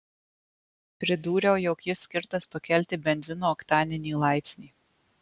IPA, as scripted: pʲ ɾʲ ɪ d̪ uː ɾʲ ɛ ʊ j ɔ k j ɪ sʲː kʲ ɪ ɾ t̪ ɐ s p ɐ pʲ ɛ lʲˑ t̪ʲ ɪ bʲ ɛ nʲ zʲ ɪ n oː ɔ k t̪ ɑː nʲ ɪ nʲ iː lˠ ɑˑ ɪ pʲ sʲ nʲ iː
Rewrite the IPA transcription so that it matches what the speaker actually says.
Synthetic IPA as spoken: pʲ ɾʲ ɪ d̪ uː ɾʲ ɛ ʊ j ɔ k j ɪ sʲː kʲ ɪ ɾ t̪ ɐ s p ɐ kʲ ɛ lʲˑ t̪ʲ ɪ bʲ ɛ nʲ zʲ ɪ n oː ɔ k t̪ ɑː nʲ ɪ nʲ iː lˠ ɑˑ ɪ pʲ sʲ nʲ iː